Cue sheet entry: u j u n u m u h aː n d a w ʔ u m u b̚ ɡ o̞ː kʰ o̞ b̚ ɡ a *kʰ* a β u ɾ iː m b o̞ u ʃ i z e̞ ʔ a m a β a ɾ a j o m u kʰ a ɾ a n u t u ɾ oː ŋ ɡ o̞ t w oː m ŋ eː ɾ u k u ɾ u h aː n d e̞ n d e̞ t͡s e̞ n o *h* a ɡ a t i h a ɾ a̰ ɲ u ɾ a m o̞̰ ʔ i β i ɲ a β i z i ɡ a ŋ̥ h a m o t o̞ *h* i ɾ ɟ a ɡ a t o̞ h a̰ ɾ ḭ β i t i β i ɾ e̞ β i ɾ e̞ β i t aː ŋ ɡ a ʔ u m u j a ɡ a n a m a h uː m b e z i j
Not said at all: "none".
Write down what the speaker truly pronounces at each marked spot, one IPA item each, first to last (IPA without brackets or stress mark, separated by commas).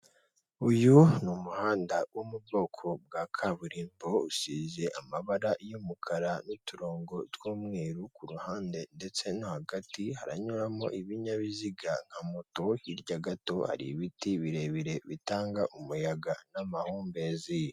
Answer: kʰ, h, h